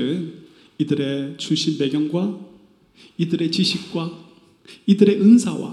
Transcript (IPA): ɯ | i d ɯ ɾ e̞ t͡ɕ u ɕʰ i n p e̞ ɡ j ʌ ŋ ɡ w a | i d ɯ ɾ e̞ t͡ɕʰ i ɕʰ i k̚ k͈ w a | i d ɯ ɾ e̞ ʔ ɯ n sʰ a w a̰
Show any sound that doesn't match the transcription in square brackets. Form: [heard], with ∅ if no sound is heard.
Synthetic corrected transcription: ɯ | i d ɯ ɾ e̞ t͡ɕ u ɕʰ i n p e̞ ɡ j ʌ ŋ ɡ w a | i d ɯ ɾ e̞ [t͡ɕ] i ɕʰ i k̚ k͈ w a | i d ɯ ɾ e̞ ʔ ɯ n sʰ a w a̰